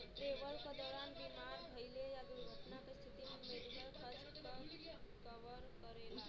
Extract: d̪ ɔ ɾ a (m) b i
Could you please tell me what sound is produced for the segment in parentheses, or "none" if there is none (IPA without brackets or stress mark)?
n